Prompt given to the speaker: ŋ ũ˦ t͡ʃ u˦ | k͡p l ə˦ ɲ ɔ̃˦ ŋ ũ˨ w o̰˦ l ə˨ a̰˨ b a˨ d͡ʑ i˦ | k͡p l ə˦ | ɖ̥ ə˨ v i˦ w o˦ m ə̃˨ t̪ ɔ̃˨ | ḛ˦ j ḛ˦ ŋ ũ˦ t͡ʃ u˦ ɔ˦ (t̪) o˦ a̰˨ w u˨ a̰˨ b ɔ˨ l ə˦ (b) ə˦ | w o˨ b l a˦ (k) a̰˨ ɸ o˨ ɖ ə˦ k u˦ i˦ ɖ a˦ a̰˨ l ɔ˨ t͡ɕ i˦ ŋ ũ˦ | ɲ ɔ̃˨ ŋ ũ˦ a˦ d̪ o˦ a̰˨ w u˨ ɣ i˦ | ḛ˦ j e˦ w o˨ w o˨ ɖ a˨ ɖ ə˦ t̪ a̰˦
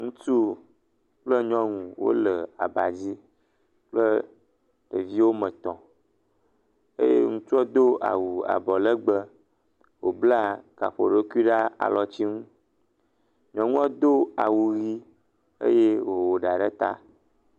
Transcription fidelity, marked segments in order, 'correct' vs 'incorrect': incorrect: d̪, incorrect: ɡ͡b, correct

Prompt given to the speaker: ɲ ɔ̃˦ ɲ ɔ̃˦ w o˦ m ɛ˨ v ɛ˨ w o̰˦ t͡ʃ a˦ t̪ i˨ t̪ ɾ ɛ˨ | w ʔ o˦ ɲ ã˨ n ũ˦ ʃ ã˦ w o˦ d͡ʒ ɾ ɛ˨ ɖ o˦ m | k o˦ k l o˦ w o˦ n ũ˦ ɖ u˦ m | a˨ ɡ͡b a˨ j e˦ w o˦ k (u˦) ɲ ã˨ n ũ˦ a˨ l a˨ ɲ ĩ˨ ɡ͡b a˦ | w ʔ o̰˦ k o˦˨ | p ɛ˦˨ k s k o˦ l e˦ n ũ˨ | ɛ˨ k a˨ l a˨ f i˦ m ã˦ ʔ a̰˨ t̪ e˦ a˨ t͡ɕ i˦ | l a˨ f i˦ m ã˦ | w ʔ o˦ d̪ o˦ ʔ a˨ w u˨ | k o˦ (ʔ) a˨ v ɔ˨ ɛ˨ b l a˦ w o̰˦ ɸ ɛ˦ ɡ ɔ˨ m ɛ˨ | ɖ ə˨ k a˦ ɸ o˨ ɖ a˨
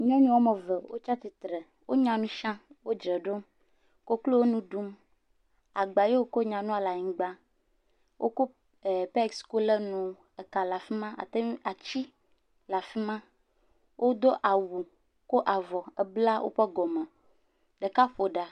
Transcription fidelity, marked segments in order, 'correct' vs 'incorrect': incorrect: o˦, correct

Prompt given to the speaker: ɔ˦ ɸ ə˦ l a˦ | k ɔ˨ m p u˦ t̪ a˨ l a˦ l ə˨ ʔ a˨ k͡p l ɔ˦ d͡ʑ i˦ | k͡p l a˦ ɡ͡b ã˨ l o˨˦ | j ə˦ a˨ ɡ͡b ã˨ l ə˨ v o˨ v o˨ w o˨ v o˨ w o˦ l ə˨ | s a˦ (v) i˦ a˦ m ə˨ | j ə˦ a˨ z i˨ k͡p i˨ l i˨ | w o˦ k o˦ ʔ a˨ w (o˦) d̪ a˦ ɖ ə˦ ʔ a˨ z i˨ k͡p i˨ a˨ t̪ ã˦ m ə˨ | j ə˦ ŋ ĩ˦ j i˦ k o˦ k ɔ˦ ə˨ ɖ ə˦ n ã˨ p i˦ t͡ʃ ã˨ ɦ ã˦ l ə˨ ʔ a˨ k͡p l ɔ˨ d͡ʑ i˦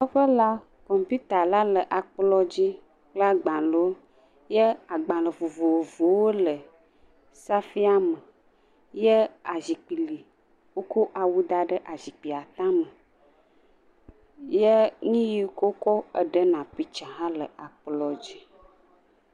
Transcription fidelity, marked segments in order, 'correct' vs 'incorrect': incorrect: f, incorrect: u˦

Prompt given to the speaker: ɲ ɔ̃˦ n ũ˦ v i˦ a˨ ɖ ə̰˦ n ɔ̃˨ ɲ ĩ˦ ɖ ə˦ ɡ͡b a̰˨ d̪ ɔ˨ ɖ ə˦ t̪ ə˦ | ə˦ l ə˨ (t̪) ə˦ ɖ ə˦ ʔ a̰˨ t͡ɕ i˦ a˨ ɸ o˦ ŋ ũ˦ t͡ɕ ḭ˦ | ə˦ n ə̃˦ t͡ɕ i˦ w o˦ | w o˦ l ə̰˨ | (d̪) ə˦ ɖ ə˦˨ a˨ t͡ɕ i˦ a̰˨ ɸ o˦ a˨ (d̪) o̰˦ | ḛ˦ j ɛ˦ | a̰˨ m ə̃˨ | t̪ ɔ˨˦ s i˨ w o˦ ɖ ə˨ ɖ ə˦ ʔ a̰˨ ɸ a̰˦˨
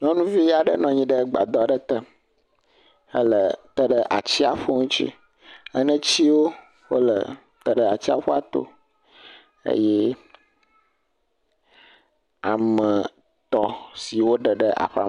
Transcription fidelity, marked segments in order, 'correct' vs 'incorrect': correct, incorrect: t̪, incorrect: t̪

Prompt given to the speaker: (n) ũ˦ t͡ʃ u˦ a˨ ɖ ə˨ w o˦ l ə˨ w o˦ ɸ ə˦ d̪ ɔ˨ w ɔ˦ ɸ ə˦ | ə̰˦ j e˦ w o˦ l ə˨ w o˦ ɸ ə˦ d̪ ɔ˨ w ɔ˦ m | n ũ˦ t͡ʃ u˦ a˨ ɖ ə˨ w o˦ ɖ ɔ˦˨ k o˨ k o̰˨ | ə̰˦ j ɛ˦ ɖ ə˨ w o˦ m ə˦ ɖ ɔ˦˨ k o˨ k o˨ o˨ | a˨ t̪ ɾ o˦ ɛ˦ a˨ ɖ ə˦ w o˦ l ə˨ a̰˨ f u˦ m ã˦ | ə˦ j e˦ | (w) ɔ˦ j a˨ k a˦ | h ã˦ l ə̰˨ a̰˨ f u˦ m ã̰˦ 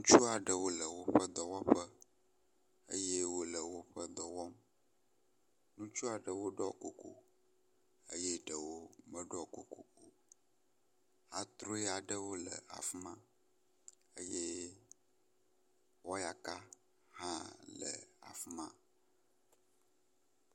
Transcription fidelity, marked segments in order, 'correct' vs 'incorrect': correct, correct

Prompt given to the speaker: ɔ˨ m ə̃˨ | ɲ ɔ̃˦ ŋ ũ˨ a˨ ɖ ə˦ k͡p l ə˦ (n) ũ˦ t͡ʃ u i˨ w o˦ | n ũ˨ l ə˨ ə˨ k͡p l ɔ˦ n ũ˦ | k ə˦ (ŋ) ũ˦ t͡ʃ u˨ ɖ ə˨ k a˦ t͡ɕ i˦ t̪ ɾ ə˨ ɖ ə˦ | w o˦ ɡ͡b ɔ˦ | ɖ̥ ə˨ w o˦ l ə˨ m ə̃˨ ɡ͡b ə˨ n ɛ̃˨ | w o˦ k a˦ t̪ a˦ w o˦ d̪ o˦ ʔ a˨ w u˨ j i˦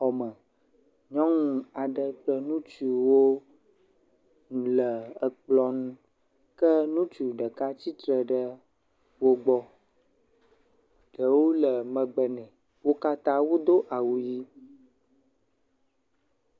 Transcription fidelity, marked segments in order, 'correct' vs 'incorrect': correct, incorrect: n

